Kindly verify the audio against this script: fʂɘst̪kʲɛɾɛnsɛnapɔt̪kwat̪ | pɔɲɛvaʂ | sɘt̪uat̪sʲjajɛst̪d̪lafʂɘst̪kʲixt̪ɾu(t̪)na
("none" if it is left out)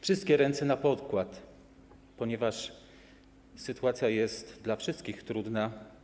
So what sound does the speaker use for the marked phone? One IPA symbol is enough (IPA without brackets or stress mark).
d̪